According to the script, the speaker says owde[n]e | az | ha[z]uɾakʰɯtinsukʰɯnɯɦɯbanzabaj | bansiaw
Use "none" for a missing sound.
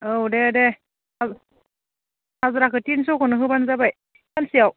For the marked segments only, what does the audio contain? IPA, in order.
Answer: d, z

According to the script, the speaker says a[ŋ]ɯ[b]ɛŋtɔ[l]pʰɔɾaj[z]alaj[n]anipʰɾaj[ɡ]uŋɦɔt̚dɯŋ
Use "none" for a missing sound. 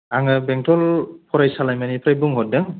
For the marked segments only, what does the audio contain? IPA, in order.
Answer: ŋ, b, l, s, m, b

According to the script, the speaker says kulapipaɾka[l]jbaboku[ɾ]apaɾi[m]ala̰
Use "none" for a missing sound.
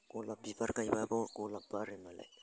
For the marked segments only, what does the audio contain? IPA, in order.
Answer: none, l, m

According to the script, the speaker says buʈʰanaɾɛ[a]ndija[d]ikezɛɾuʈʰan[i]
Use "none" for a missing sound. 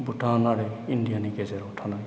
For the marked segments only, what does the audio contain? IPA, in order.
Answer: i, n, a

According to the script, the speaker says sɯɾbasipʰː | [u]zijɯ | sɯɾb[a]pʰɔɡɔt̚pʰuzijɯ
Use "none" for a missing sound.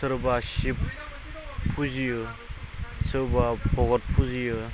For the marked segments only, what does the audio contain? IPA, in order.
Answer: u, a

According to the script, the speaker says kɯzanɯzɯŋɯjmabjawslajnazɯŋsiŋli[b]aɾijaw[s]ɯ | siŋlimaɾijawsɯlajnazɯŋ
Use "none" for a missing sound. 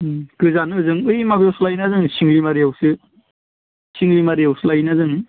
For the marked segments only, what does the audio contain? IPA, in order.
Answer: m, s

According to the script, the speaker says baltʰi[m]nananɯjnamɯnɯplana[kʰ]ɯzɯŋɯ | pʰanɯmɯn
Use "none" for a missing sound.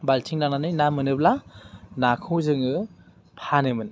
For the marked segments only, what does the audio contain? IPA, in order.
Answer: ŋ, kʰ

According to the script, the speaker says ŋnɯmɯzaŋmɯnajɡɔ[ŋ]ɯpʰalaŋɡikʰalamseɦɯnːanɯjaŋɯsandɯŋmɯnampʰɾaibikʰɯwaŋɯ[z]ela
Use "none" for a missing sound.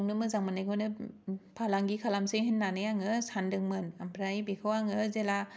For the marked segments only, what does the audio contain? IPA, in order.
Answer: n, z

